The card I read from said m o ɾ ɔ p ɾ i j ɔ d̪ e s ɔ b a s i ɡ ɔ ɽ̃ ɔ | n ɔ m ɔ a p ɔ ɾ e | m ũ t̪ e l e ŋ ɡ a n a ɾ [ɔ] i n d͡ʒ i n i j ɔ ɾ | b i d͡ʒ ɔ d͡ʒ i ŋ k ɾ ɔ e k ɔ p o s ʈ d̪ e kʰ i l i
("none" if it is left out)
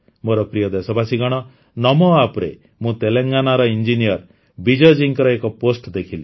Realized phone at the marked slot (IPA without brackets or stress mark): ɔ